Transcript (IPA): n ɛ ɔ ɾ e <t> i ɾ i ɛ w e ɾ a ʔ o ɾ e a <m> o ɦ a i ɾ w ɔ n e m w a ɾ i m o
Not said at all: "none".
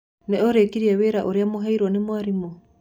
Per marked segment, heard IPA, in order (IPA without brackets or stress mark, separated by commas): k, m